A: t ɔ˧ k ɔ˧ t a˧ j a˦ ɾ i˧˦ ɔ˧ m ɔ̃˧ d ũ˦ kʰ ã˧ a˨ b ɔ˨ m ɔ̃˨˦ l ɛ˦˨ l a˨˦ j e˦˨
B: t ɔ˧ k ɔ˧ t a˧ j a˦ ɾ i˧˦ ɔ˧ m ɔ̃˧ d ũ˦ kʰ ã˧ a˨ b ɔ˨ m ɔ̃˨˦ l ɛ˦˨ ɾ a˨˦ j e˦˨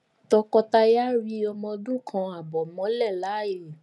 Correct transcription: A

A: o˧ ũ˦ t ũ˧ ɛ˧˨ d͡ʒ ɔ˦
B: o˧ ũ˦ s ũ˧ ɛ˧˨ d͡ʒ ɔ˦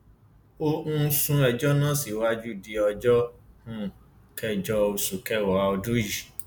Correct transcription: B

